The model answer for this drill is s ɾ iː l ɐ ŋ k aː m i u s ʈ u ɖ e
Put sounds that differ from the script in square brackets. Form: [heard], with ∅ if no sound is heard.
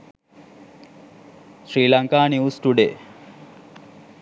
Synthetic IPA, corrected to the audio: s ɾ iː l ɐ ŋ k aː [n] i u s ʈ u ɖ e